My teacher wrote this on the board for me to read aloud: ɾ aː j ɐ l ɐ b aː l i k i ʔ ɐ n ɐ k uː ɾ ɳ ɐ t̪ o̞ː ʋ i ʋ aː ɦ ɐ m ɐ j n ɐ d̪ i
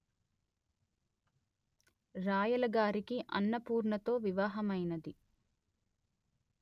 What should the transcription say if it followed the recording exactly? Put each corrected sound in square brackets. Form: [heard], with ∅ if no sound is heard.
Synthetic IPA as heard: ɾ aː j ɐ l ɐ [ɡ] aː [ɾ] i k i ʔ ɐ [nː] ɐ [p] uː ɾ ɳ ɐ t̪ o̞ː ʋ i ʋ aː ɦ ɐ m ɐ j n ɐ d̪ i